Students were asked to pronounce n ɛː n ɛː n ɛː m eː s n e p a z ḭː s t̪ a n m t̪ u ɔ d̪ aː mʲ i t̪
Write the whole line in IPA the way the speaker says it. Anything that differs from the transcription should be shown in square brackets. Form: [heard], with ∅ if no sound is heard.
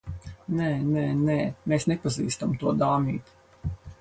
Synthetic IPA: n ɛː n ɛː n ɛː m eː s n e p a z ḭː s t̪ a [∅] m t̪ u ɔ d̪ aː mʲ [iː] t̪